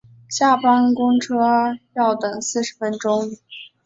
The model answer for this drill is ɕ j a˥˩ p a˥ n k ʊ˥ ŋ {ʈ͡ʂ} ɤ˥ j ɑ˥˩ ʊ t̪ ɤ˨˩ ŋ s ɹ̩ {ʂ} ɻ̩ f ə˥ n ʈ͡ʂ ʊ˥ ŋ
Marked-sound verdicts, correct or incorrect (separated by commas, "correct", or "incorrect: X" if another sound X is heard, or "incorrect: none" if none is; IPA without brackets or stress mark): incorrect: ʈ͡ʂʰ, correct